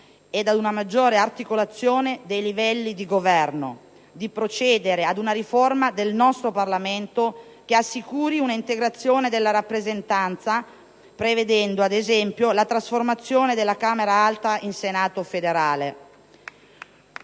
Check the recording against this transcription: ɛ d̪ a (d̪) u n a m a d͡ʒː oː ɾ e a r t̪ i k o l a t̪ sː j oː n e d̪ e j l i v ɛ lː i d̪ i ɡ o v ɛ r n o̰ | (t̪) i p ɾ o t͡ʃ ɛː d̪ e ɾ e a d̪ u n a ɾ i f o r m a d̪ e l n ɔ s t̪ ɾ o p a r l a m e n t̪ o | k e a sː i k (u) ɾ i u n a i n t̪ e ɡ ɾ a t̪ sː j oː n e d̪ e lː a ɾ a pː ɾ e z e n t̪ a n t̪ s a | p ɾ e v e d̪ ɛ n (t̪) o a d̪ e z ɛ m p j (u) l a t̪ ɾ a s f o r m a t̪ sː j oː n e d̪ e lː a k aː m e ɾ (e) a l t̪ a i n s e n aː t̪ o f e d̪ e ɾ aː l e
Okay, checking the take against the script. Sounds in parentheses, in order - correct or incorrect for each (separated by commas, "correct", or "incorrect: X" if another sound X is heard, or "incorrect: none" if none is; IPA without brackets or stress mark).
correct, incorrect: d̪, incorrect: uː, incorrect: d̪, incorrect: o, incorrect: a